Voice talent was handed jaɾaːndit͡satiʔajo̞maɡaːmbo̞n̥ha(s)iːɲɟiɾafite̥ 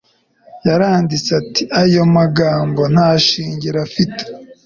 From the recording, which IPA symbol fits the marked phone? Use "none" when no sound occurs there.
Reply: ʃ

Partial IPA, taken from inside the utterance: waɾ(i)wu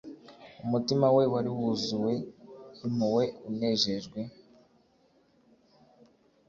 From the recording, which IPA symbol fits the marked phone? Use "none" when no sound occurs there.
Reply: i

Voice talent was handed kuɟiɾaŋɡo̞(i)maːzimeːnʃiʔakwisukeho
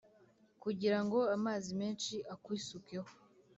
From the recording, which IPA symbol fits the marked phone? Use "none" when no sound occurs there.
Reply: a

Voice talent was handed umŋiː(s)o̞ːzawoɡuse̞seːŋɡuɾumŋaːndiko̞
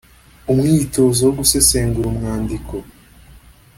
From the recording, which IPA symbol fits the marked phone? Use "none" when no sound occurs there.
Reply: t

